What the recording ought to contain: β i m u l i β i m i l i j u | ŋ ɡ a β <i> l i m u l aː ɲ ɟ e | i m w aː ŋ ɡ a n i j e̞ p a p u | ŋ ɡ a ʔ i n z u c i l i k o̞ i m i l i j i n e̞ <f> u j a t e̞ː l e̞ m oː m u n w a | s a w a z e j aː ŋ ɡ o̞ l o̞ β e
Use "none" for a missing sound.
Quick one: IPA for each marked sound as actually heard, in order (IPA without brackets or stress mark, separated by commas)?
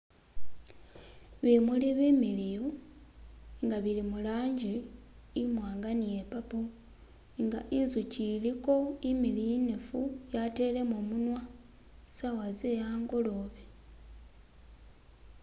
i, f